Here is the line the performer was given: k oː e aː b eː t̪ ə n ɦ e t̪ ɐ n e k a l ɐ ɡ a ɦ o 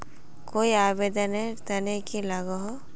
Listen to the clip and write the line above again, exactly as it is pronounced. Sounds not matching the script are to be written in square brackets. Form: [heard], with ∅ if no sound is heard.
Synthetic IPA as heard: k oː [i] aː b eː [d̪] ə n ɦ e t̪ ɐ n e k [i] l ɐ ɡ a ɦ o